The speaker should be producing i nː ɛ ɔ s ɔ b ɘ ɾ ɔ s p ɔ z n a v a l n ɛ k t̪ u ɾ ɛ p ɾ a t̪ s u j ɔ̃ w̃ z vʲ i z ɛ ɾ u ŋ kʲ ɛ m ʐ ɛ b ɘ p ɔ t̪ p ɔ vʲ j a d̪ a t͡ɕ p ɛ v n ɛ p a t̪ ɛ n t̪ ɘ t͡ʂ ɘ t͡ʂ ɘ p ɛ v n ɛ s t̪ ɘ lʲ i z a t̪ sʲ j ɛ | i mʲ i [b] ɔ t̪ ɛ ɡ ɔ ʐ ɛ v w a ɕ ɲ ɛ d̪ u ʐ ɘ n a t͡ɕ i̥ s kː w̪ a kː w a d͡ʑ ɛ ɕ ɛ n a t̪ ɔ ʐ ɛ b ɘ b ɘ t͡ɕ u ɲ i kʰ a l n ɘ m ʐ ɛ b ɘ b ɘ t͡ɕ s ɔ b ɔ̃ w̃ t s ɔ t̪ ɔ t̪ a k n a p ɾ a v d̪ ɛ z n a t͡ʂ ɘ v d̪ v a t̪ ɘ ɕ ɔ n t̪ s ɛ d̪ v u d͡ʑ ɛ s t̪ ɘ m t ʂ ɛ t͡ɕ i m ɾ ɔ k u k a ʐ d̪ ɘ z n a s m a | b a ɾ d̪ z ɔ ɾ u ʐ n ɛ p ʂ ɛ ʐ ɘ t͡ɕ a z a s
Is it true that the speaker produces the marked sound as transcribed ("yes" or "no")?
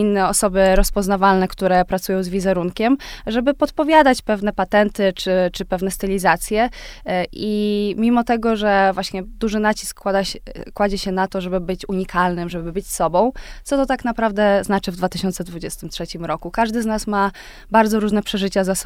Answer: no